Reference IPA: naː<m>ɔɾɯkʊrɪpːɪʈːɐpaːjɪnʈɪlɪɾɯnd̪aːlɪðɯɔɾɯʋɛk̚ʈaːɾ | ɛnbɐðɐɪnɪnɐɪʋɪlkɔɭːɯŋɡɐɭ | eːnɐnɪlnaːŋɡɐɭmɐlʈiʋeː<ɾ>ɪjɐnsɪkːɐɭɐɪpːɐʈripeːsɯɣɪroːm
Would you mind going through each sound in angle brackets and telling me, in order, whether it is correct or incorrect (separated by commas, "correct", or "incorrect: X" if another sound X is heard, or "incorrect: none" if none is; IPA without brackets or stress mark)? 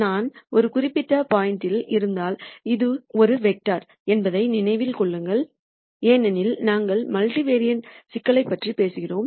incorrect: n, correct